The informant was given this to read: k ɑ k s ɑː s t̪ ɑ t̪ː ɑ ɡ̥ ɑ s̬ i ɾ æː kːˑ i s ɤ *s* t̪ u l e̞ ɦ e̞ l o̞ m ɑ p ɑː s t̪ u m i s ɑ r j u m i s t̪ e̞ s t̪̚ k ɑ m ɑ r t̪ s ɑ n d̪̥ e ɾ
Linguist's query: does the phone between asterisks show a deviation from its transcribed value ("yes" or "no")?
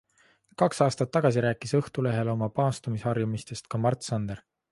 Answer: yes